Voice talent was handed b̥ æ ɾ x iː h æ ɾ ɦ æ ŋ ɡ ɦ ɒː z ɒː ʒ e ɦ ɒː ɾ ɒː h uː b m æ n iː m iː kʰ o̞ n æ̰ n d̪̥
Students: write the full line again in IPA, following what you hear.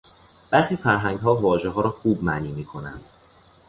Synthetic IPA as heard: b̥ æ ɾ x iː f æ ɾ ɦ æ ŋ ɡ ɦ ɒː v ɒː ʒ e ɦ ɒː ɾ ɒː x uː b m æ n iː m iː kʰ o̞ n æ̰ n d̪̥